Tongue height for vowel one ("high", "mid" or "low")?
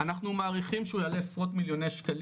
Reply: low